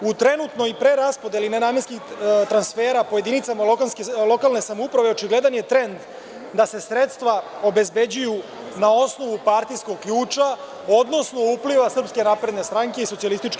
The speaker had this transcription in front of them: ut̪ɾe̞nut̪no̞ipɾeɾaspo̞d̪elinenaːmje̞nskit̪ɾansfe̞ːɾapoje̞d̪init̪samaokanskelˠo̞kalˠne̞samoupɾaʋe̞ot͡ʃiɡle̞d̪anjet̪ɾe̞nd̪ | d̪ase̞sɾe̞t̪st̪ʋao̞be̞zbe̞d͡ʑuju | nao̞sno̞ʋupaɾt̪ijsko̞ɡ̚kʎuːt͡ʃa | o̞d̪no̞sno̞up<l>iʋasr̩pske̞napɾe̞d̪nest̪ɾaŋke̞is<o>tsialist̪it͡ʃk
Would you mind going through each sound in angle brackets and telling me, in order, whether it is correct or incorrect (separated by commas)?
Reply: correct, correct